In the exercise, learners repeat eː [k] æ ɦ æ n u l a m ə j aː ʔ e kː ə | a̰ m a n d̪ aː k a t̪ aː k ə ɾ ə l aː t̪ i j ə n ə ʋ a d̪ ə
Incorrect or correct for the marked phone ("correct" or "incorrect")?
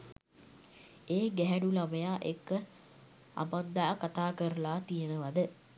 incorrect